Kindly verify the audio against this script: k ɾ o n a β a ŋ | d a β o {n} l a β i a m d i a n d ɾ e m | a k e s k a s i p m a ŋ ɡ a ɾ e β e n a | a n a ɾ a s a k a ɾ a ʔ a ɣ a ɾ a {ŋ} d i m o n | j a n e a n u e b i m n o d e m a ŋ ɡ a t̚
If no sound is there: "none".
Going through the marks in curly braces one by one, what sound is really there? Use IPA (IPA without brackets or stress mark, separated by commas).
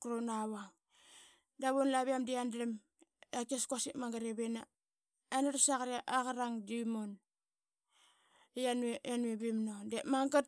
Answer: n, ŋ